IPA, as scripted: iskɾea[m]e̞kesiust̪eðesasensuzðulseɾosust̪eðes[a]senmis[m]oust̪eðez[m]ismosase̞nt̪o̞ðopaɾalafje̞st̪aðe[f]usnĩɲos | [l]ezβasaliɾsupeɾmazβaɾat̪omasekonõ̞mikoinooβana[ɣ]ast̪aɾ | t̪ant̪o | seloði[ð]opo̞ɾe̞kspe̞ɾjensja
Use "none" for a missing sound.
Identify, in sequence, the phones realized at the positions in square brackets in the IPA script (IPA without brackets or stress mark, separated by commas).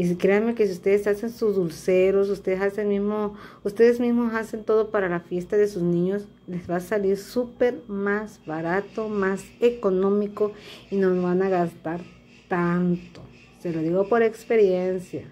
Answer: m, a, m, m, s, l, ɣ, ɣ